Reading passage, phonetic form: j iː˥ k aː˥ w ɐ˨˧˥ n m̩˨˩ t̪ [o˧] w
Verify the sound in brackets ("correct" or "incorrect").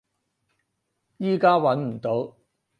incorrect